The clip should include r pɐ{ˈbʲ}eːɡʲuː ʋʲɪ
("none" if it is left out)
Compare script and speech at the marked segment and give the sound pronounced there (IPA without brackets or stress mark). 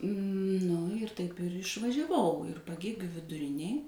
ɡʲ